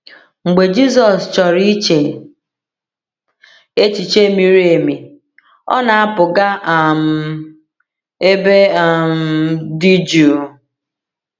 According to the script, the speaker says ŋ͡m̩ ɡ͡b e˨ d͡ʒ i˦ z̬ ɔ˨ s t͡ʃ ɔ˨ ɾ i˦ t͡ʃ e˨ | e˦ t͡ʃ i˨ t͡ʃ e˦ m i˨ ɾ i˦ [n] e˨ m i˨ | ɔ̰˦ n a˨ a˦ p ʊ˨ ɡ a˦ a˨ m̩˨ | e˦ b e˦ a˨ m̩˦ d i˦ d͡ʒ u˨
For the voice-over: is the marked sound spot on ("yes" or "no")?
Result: no